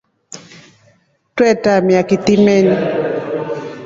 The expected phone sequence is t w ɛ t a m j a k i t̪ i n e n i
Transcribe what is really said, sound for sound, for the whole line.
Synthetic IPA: t w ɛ t a m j a k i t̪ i m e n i